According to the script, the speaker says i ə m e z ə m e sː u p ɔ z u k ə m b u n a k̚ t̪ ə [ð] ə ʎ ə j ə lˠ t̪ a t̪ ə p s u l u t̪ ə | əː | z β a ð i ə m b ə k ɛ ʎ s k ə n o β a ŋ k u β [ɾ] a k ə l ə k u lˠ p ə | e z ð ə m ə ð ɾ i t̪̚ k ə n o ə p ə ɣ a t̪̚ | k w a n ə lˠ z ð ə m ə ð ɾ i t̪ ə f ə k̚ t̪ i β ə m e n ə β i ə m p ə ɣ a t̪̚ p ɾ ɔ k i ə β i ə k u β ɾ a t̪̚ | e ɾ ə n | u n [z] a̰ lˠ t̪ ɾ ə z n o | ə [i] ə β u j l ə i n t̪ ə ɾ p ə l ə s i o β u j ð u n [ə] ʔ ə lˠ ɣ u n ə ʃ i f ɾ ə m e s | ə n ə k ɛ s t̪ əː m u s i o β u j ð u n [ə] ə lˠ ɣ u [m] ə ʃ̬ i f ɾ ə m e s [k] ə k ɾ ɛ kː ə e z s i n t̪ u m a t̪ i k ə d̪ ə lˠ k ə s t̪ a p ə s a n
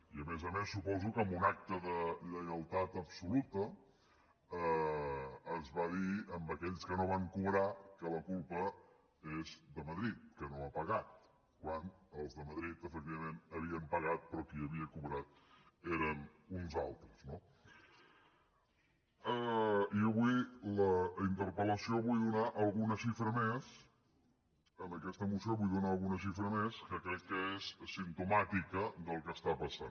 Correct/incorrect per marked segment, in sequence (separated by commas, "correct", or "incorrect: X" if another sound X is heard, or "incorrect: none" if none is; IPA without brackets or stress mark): correct, correct, correct, correct, incorrect: a, incorrect: a, incorrect: n, correct